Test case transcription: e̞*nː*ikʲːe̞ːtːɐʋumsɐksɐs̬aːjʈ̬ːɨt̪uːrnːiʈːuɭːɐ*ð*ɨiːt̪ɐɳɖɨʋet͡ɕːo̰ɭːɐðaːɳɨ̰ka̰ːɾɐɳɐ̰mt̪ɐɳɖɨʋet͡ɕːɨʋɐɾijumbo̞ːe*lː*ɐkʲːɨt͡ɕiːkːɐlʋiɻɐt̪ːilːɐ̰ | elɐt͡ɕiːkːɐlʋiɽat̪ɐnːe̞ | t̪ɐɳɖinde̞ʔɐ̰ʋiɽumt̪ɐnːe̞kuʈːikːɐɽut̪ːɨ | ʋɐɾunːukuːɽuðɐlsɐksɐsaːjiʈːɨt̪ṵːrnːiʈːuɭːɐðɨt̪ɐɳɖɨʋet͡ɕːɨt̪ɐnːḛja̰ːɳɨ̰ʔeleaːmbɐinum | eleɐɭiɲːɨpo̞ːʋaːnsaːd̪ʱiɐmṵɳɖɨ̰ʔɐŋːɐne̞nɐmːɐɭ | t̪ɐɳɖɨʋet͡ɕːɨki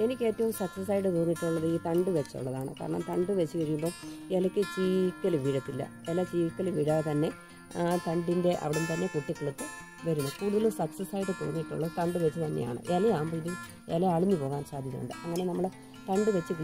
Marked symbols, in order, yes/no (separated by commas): no, yes, no